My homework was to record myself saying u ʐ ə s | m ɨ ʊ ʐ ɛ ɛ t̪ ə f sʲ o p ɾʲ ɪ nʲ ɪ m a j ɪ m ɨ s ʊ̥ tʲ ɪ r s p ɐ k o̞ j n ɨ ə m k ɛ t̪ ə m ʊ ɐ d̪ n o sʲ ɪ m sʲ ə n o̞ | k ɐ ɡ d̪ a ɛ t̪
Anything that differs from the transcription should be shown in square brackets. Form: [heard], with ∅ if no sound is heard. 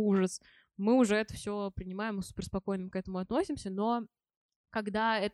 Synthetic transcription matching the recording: u ʐ ə s | m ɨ ʊ ʐ ɛ ɛ t̪ ə f sʲ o p ɾʲ ɪ nʲ ɪ m a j ɪ m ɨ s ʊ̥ [pʲ] ɪ r s p ɐ k o̞ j n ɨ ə m k ɛ t̪ ə m ʊ ɐ [t̪] n o sʲ ɪ m sʲ ə n o̞ | k ɐ ɡ d̪ a ɛ t̪